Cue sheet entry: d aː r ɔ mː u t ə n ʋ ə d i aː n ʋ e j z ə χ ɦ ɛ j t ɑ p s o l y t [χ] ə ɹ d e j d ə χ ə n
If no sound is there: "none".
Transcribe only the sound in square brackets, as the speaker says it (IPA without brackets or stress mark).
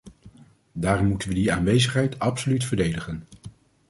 f